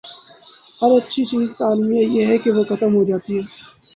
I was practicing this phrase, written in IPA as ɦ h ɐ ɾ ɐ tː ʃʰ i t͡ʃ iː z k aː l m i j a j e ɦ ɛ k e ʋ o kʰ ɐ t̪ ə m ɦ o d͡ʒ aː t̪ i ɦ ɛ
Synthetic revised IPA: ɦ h ɐ ɾ ɐ tː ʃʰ i t͡ʃ iː z k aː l m i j a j e ɦ ɛ k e ʋ o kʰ ɐ t̪ ə m ɦ o d͡ʒ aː t̪ i ɦ ɛː